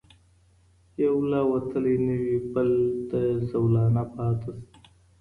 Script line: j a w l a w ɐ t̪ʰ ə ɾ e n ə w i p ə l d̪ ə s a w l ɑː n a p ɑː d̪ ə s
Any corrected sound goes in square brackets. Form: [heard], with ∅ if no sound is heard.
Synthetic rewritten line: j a w l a w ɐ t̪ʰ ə [l] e n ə w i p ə l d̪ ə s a w l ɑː n a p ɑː [t̪] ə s

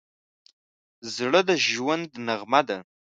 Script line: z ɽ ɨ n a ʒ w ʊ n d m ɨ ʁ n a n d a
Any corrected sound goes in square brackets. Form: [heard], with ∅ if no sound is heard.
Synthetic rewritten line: z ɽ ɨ [d] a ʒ w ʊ n d [n] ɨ ʁ [m] a [∅] d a

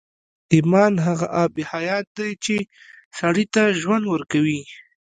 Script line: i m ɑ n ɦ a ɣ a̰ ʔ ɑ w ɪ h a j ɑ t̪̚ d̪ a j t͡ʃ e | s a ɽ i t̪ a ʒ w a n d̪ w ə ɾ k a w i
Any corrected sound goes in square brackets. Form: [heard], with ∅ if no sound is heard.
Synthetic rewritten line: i m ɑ n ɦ a ɣ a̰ ʔ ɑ [b] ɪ h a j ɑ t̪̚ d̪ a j t͡ʃ e | s a ɽ i t̪ a ʒ w a n d̪ w ə ɾ k a w i

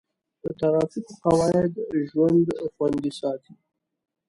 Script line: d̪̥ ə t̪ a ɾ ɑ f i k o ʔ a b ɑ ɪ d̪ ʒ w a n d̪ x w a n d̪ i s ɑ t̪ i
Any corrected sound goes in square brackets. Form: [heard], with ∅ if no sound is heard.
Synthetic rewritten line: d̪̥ ə t̪ a ɾ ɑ f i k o [q] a [w] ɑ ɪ d̪ ʒ w a n d̪ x w a n d̪ i s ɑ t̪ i

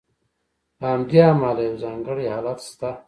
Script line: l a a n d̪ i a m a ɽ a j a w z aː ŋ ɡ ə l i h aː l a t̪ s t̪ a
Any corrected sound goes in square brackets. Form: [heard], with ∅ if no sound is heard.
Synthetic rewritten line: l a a [m] d̪ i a m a [l] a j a w z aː ŋ ɡ ə [ɽ] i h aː l a t̪ s t̪ a

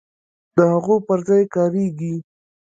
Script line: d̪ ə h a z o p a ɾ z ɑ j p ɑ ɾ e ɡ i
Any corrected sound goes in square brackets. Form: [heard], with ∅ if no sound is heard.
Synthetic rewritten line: d̪ ə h a [ɣ] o p [ə] ɾ z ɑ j [k] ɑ ɾ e ɡ i

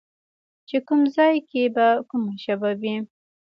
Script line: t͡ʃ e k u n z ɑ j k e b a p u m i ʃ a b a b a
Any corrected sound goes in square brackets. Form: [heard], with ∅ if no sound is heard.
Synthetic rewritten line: t͡ʃ e k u [m] z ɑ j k e b a [k] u m [a] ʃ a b a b [i]

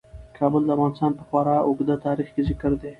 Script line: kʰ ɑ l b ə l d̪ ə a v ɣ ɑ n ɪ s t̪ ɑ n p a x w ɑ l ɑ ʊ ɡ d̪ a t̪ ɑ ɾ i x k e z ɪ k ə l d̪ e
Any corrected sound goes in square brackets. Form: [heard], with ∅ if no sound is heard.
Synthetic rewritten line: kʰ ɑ [∅] b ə l d̪ ə a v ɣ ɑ n ɪ s t̪ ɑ n p [ə] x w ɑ [ɾ] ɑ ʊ ɡ d̪ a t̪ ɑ ɾ i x k e z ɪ k ə [ɾ] d̪ e

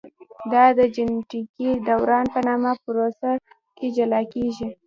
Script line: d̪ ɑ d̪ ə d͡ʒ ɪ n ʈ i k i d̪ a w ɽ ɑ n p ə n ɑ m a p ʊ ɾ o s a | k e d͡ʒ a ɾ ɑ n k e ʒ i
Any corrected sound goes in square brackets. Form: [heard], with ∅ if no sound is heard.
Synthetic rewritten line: d̪ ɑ d̪ ə d͡ʒ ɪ n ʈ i k i d̪ a w [ɾ] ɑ n p ə n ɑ m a p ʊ ɾ o s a | k e d͡ʒ a [l] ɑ [∅] k e ʒ i

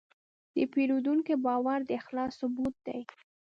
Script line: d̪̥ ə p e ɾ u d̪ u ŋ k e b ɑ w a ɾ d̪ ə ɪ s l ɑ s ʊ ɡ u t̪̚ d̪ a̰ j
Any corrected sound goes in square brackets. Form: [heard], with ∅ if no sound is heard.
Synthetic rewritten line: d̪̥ ə p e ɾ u d̪ u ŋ k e b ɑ w a ɾ d̪ ə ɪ [x] l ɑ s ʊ [b] u t̪̚ d̪ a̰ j

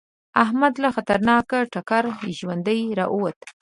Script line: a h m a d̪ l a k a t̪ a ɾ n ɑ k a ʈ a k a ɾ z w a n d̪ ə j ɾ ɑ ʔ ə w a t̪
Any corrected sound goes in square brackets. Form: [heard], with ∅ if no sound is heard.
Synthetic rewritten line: a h m a d̪ l a [x] a t̪ a ɾ n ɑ k a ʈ a k a ɾ [ʒ] w a n d̪ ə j ɾ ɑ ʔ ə w a t̪

